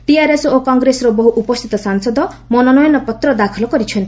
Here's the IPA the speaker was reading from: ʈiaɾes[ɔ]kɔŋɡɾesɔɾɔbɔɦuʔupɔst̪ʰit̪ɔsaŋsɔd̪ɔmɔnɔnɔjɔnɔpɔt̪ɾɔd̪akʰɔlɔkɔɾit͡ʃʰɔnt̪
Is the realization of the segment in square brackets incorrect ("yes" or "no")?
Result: yes